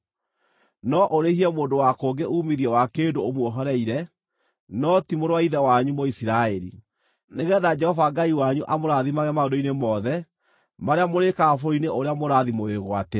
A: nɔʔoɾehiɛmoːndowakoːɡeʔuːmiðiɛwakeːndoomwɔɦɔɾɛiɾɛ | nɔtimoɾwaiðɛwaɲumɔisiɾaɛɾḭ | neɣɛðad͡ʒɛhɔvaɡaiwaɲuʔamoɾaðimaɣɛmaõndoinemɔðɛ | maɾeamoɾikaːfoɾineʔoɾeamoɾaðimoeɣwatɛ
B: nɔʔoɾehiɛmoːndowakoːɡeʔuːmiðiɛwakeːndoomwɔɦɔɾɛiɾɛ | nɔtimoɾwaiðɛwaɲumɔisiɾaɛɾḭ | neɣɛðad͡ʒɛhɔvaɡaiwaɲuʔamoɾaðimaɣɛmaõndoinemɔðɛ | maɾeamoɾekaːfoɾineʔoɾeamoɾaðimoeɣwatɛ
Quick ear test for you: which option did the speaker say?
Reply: B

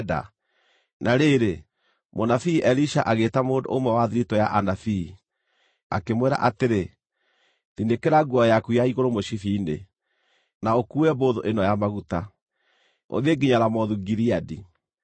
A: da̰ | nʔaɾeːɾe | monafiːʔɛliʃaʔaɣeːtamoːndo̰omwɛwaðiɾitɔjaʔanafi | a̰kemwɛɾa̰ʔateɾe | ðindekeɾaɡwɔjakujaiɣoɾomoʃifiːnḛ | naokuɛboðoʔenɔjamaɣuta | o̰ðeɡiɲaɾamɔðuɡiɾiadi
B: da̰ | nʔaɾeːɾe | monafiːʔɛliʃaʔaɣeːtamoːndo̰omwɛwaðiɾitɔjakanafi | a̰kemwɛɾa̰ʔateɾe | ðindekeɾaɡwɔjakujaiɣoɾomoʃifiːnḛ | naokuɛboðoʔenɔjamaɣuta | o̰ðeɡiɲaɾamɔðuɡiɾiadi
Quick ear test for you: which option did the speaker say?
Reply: A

